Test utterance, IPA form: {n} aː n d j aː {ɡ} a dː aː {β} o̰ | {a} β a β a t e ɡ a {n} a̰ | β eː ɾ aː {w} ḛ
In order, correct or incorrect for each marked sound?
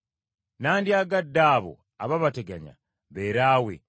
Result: correct, correct, correct, correct, incorrect: ɲ, correct

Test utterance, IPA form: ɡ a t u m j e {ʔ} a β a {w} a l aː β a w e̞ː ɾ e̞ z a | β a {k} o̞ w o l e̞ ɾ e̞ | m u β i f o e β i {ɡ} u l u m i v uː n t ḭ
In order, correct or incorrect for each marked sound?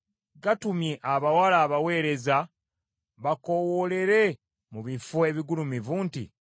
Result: correct, correct, correct, correct

